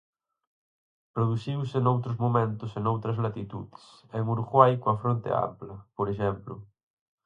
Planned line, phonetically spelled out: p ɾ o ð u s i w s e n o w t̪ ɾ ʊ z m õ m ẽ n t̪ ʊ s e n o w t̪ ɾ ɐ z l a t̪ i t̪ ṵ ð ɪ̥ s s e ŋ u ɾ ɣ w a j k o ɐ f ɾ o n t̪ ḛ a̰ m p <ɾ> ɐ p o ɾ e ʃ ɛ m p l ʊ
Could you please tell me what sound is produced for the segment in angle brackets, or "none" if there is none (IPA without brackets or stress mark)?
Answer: l